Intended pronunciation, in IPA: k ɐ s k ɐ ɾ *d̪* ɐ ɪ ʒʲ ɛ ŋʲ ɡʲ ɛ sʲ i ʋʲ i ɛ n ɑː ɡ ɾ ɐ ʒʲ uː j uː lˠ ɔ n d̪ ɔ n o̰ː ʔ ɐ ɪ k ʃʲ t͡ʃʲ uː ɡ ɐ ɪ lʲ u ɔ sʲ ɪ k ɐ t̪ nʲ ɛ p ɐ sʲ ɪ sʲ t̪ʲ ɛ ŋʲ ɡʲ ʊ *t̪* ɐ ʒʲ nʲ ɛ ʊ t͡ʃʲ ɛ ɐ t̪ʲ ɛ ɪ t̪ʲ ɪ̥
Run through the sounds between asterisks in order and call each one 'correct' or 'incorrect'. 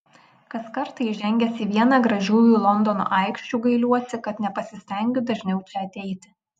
incorrect, incorrect

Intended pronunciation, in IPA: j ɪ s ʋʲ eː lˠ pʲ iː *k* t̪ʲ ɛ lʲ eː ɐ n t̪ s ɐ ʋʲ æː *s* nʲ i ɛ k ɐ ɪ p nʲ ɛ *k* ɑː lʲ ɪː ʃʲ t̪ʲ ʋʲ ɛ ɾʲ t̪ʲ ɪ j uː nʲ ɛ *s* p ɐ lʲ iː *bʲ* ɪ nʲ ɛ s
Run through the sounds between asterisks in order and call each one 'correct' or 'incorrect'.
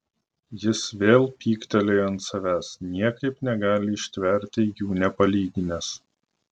correct, correct, incorrect, incorrect, incorrect

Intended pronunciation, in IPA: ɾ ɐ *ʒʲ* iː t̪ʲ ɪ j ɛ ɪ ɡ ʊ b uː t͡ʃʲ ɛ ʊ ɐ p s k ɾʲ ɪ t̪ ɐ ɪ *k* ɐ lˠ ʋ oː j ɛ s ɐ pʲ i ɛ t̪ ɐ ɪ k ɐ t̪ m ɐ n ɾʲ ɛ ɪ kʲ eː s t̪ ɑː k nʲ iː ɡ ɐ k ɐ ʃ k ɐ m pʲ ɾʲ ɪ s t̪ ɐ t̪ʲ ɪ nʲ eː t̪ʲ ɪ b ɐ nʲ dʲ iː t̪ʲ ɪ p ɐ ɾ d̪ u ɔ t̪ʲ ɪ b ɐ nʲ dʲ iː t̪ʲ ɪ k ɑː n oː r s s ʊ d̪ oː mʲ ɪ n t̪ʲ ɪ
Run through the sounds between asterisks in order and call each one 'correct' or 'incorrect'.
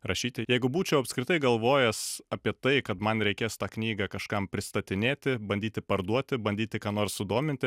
incorrect, incorrect

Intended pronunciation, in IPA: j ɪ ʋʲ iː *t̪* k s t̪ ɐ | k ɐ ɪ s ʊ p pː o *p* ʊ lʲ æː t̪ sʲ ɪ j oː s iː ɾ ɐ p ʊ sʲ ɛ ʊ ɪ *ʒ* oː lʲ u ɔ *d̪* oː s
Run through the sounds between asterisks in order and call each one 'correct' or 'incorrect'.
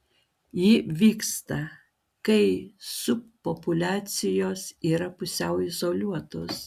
incorrect, correct, incorrect, incorrect

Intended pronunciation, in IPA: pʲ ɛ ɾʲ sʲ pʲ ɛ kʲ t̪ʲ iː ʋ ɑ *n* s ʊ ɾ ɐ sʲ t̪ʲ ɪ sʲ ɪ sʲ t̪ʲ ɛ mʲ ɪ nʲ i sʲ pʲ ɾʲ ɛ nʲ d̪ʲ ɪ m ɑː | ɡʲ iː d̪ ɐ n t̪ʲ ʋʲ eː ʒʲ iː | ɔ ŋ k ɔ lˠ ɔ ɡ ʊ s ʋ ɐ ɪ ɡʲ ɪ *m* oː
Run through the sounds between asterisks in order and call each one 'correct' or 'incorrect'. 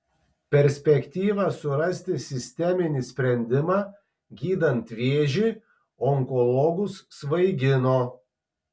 incorrect, incorrect

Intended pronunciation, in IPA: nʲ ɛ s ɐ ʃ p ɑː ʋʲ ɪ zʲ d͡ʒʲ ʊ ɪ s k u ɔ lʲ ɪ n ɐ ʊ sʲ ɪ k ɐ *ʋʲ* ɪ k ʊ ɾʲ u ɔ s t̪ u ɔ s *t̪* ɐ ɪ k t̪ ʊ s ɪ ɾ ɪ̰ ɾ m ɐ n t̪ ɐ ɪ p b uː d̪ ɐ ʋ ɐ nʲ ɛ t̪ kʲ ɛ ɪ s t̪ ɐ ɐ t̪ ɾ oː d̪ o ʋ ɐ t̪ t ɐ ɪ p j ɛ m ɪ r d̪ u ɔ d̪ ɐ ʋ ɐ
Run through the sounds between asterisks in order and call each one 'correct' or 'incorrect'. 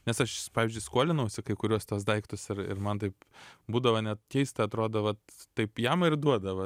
incorrect, incorrect

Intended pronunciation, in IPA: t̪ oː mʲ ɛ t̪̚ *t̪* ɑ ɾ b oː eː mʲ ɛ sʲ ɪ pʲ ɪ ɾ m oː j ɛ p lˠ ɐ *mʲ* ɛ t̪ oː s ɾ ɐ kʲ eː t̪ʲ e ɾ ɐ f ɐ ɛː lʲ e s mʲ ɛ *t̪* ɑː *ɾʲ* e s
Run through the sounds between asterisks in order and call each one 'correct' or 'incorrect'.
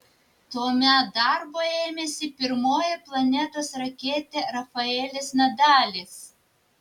incorrect, incorrect, incorrect, incorrect

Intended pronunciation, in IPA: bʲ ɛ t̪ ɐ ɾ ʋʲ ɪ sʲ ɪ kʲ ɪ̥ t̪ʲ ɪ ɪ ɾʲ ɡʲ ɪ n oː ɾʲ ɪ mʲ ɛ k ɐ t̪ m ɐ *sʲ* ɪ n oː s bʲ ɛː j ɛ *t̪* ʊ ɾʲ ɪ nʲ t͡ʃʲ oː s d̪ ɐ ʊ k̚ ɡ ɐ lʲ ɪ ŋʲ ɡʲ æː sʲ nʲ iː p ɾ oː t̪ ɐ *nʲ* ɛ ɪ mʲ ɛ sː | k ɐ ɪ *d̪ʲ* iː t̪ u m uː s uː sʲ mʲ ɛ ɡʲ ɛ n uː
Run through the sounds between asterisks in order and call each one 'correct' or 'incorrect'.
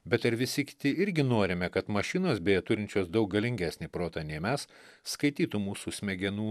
incorrect, correct, correct, incorrect

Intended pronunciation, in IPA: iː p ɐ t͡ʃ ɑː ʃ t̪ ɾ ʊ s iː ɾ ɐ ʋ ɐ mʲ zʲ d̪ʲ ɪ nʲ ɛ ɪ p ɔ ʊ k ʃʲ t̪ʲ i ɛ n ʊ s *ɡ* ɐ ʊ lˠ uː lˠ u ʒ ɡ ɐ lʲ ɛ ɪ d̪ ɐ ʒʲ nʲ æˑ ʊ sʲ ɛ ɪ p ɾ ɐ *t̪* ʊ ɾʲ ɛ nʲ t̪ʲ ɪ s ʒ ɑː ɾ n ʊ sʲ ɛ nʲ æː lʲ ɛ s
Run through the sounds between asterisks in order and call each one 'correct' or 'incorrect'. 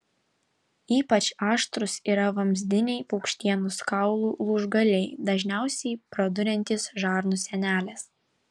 incorrect, incorrect

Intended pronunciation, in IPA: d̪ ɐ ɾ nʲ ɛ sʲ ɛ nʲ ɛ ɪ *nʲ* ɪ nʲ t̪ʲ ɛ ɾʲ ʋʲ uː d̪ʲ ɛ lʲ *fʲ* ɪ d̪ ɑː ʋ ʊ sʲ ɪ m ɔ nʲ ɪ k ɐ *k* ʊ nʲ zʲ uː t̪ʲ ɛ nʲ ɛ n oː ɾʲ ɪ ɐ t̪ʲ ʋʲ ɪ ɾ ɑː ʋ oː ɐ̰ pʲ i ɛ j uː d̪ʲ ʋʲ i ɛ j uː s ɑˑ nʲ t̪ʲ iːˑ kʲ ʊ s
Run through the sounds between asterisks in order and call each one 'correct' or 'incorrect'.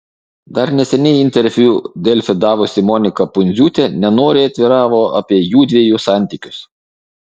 incorrect, correct, incorrect

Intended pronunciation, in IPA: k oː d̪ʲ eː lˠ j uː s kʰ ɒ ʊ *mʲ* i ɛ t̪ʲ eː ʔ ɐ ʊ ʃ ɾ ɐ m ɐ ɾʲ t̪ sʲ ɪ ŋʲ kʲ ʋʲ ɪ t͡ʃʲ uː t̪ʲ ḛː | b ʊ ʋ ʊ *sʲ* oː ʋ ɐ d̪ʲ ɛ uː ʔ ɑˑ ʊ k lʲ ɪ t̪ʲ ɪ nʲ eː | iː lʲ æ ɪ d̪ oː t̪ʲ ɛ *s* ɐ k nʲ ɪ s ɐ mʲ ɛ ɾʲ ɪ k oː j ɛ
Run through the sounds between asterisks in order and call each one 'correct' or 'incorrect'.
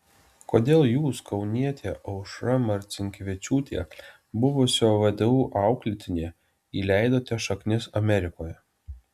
incorrect, correct, incorrect

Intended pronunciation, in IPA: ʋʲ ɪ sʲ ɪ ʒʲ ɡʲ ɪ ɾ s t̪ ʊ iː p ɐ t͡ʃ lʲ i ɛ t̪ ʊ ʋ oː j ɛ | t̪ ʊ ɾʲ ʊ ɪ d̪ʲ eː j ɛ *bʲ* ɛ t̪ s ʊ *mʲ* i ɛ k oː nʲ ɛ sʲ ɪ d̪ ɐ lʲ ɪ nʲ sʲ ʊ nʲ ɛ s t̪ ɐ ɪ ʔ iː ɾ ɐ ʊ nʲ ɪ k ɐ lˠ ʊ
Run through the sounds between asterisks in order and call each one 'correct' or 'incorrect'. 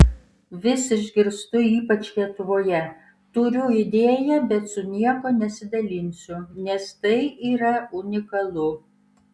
correct, incorrect

